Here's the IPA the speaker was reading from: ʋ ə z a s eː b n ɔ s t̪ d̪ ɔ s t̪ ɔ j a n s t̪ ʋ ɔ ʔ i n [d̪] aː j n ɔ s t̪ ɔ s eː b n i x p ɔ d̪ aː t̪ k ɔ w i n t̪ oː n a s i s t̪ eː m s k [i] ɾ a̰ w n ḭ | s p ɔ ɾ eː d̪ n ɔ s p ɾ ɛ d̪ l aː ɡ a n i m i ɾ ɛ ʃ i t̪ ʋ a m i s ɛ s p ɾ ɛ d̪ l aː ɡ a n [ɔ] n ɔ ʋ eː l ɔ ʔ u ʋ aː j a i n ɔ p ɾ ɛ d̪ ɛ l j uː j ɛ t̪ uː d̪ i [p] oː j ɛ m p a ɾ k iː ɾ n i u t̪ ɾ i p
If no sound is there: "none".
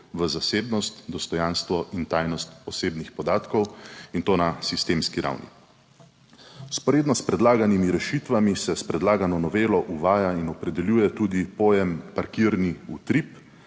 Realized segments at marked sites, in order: t̪, i, ɔ, p

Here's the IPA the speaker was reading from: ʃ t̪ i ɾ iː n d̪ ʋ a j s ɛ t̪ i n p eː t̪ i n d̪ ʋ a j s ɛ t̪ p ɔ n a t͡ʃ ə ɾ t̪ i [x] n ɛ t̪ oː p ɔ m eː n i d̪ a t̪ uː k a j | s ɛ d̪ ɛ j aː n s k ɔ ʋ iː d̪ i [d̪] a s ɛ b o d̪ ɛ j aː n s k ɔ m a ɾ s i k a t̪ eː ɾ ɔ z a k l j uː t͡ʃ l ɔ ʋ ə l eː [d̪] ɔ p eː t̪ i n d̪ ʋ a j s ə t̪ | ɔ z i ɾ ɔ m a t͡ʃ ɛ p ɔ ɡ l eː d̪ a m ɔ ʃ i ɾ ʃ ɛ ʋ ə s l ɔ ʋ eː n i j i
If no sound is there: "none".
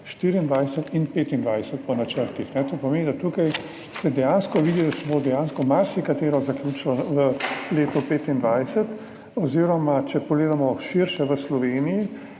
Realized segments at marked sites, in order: x, d̪, t̪

